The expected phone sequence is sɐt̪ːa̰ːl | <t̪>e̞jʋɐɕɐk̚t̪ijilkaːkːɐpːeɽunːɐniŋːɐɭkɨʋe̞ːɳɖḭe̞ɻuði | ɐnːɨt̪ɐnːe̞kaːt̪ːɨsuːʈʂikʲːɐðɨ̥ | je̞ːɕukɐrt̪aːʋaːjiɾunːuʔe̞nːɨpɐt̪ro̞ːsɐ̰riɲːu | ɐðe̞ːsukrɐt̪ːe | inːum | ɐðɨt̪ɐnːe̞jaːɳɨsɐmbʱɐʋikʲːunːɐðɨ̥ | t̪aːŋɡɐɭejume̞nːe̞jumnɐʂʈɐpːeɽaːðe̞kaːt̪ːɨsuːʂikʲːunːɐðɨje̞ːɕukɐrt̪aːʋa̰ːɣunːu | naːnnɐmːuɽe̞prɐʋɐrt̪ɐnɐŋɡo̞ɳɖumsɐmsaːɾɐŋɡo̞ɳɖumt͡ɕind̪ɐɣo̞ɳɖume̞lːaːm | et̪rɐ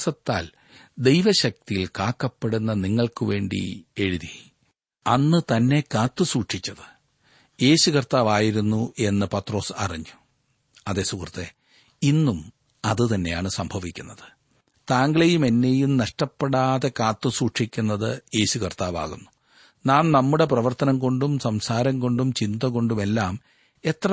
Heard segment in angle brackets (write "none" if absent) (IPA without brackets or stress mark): d̪